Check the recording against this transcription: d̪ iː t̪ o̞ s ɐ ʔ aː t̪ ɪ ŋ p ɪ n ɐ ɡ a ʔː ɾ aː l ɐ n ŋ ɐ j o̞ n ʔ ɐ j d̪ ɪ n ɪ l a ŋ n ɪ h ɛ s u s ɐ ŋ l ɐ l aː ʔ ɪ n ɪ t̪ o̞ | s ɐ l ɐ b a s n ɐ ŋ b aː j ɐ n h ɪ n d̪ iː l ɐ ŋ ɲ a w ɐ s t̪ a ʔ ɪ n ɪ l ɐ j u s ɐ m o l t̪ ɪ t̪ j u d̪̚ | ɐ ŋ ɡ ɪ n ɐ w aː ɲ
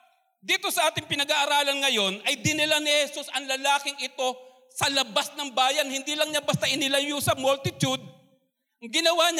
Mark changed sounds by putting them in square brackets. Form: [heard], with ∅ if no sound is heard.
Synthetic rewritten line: d̪ iː t̪ o̞ s ɐ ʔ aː t̪ ɪ ŋ p ɪ n ɐ ɡ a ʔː ɾ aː l ɐ n ŋ ɐ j o̞ n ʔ ɐ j d̪ ɪ n ɪ l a [∅] n ɪ h ɛ s u s ɐ ŋ l ɐ l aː [k] ɪ [ŋ] ɪ t̪ o̞ | s ɐ l ɐ b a s n ɐ ŋ b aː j ɐ n h ɪ n d̪ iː l ɐ ŋ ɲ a [b] ɐ s t̪ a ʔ ɪ n ɪ l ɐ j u s ɐ m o l t̪ ɪ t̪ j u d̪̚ | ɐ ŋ ɡ ɪ n ɐ w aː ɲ